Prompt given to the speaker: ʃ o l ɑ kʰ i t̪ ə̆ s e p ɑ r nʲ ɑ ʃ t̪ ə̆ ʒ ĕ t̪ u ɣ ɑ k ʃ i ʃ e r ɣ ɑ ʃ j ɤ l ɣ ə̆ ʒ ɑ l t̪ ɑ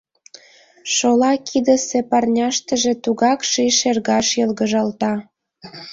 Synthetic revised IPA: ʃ o l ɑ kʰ i d̪ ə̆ s e p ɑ r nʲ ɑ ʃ t̪ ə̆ ʒ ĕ t̪ u ɣ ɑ k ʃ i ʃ e r ɣ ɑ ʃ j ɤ l ɣ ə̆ ʒ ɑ l t̪ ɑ